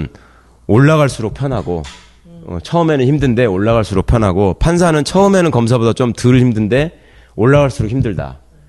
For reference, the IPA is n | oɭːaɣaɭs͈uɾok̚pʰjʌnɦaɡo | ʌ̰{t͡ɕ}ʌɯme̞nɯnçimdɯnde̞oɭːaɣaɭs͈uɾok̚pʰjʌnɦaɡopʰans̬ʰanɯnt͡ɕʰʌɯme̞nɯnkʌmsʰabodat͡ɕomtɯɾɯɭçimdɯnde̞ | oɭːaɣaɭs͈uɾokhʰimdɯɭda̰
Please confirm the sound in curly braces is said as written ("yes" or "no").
no